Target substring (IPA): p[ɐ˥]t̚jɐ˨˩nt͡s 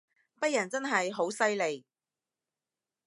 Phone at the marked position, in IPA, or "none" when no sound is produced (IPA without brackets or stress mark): ɐ˥